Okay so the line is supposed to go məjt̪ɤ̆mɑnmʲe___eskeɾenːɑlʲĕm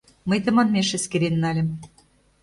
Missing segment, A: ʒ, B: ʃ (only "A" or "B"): B